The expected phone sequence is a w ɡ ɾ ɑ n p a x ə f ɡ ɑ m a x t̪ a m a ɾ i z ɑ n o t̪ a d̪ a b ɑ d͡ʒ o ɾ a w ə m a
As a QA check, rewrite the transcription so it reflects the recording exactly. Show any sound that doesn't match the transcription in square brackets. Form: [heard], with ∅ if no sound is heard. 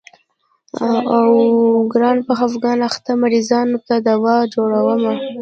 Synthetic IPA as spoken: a w ɡ ɾ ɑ n p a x [a] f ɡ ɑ [n] a x t̪ a m a ɾ i z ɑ n o t̪ a d̪ a [w] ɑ d͡ʒ o [ɽ] a w ə m a